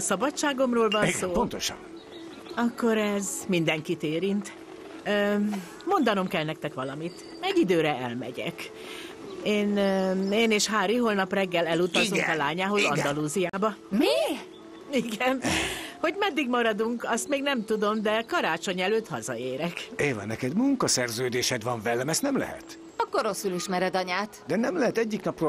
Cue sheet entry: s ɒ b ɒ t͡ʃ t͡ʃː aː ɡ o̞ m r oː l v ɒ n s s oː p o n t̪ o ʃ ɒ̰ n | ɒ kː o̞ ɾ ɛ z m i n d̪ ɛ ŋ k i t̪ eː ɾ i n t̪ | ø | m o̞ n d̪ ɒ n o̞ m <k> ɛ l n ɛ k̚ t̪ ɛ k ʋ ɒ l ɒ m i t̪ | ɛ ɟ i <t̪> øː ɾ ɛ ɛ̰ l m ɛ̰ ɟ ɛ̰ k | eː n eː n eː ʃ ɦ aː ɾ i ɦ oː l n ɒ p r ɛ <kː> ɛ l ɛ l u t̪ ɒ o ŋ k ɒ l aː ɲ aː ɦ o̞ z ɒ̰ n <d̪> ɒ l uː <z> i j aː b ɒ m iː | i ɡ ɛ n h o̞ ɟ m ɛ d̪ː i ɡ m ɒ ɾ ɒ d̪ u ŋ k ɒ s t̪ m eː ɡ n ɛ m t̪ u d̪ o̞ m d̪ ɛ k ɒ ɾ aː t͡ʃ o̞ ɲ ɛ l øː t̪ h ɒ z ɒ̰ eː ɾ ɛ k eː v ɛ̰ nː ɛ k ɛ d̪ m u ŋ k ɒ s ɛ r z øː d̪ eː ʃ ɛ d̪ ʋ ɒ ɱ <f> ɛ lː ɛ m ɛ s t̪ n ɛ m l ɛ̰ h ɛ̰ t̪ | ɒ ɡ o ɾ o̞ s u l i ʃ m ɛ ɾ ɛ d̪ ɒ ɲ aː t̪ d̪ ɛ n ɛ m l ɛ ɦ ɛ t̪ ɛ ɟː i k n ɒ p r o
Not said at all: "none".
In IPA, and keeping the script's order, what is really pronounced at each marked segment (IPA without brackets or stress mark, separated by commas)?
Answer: k, d̪, ɡː, d̪, z, v